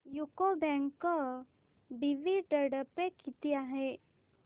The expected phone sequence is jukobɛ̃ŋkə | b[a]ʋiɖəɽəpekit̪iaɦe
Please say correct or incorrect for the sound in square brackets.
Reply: incorrect: i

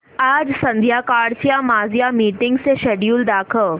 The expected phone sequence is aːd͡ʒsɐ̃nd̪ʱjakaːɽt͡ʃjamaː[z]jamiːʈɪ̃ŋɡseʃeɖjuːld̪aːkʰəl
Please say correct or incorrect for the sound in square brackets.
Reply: correct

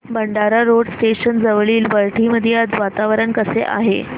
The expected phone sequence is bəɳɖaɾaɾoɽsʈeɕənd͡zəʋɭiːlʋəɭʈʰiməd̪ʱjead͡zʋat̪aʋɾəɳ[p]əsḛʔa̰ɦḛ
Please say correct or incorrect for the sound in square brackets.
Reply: incorrect: k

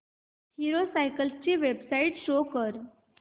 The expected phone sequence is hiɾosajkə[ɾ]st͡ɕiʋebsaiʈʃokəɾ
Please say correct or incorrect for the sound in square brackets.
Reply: incorrect: l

